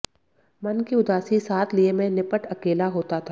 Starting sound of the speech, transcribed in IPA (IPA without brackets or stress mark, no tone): m